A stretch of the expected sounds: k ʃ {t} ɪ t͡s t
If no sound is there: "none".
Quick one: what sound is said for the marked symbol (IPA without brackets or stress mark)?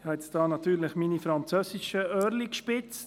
p